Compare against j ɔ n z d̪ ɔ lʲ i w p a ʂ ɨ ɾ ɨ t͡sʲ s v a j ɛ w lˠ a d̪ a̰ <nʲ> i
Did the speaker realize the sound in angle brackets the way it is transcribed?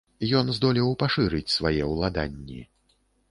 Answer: no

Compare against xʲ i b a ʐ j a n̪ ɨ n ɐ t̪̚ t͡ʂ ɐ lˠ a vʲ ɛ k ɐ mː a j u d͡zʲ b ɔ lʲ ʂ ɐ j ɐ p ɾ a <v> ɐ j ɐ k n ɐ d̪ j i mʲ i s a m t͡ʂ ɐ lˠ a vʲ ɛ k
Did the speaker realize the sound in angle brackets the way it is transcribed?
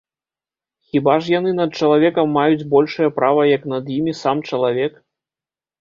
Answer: yes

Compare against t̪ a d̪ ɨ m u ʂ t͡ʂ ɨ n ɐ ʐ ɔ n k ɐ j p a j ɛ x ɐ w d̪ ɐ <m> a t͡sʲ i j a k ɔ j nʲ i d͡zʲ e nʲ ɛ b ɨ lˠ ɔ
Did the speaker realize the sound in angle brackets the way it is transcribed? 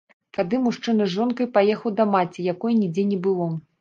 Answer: yes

